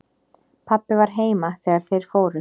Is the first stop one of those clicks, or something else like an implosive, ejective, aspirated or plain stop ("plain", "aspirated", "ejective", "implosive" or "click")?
aspirated